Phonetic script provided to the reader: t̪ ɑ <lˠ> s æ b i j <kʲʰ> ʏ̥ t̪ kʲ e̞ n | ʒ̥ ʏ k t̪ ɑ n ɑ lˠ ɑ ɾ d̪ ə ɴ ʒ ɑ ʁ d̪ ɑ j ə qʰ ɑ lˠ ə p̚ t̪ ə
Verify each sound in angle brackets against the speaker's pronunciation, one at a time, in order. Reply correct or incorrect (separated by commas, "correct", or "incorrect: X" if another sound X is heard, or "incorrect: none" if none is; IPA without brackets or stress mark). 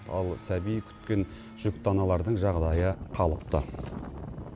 correct, correct